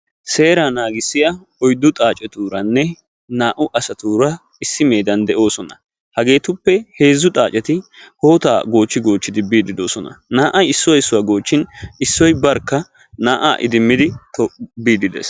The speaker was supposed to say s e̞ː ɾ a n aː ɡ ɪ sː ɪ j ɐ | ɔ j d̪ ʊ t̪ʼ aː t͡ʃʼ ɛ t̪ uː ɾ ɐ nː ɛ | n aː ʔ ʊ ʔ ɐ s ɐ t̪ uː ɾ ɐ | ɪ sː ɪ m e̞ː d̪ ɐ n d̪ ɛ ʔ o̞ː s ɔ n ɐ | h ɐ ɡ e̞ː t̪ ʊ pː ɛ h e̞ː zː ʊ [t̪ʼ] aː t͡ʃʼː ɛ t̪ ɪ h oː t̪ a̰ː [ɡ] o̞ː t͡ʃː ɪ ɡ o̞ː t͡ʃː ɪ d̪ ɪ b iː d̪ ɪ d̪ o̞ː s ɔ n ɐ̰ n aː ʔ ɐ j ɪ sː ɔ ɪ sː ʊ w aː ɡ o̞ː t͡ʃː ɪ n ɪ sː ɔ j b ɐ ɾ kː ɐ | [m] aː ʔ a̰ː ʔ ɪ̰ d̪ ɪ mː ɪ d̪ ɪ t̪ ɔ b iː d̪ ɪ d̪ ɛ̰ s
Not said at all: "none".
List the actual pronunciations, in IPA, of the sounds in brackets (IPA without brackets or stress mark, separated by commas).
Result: t̪ʼ, ɡ, n